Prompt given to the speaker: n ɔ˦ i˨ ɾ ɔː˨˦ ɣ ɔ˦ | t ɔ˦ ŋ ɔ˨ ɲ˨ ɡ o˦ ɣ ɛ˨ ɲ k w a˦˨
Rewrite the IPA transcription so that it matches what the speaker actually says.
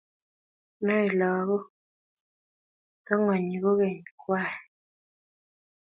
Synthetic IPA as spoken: n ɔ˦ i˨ l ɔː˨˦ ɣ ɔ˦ | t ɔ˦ ŋ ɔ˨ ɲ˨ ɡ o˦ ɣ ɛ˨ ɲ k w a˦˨

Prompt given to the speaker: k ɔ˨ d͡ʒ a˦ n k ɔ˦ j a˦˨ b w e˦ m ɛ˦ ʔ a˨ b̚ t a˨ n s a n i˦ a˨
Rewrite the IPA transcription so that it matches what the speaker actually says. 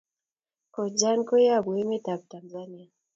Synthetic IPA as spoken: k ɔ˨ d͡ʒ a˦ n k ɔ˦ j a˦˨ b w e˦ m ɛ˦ t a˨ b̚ t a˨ n z a n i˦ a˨

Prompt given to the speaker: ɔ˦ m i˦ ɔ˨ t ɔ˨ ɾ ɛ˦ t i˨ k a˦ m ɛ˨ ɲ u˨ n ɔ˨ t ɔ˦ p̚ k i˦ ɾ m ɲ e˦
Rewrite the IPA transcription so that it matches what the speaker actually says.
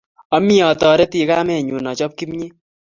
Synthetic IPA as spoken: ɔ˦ m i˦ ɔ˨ t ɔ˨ ɾ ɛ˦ t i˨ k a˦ m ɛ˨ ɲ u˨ n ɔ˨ t͡ʃ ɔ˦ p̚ k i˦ m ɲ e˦

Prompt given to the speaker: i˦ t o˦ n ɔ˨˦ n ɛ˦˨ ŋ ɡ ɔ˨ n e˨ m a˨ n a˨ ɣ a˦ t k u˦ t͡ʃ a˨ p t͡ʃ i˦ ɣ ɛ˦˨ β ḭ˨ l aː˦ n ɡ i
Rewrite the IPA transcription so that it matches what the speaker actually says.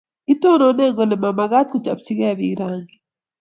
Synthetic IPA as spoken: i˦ t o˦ n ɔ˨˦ n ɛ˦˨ ŋ ɡ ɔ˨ n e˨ m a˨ m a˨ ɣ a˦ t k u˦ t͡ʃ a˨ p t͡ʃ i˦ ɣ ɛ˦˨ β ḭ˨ ɾ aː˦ ŋ ɡ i

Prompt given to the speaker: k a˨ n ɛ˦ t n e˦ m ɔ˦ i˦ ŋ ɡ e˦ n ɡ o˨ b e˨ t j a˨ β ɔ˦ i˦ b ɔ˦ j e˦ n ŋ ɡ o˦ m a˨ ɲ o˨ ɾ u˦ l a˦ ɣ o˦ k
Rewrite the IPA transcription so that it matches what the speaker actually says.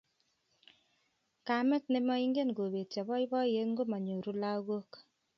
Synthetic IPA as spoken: k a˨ m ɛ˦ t n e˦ m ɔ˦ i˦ ŋ ɡ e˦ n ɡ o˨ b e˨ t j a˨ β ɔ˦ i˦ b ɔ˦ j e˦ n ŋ ɡ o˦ m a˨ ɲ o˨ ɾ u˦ l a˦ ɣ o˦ k

